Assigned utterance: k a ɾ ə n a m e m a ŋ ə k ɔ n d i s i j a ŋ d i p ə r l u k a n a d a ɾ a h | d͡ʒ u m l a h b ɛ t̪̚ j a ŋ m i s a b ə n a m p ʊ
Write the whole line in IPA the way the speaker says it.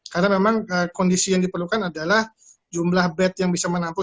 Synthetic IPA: k a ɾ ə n a m e m a ŋ ə k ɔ n d i s i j a ŋ d i p ə r l u k a n a d a l a h | d͡ʒ u m l a h b ɛ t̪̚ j a ŋ b i s a m ə n a m p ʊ